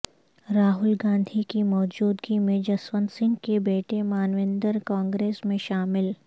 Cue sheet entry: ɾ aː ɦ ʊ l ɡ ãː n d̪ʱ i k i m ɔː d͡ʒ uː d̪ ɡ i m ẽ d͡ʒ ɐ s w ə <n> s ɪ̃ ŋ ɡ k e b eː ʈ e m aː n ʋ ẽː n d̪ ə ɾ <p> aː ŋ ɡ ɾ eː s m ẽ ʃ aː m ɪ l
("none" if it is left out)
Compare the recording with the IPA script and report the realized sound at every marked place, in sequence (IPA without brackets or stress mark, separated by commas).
n, k